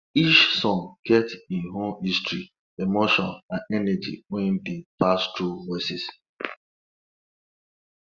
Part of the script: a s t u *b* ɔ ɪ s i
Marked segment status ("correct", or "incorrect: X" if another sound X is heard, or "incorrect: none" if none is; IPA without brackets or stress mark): incorrect: v